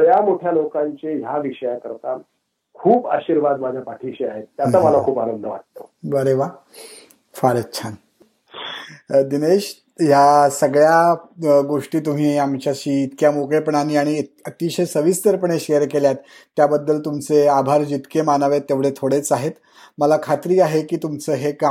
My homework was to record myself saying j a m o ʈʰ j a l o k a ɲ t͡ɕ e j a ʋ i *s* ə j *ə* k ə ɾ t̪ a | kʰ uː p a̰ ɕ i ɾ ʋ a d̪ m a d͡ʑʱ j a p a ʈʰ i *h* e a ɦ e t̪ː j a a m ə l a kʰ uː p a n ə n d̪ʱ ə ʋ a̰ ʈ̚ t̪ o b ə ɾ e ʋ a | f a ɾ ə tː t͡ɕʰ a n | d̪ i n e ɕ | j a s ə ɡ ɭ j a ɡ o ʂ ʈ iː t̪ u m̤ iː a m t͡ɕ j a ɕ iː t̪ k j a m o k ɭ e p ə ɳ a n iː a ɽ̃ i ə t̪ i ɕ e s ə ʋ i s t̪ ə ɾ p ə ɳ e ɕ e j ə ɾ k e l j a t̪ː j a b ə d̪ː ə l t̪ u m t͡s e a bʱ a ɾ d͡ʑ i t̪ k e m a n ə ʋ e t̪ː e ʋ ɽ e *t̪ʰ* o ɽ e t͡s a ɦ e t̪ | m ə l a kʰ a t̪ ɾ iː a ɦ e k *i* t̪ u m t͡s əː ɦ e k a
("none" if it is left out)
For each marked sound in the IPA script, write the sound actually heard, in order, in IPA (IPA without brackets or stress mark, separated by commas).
ʂ, a, ɕ, t̪ʰ, iː